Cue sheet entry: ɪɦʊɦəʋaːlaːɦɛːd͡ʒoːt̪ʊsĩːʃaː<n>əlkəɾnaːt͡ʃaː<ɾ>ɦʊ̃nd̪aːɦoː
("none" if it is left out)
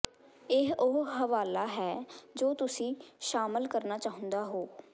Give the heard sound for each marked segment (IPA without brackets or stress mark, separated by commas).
m, none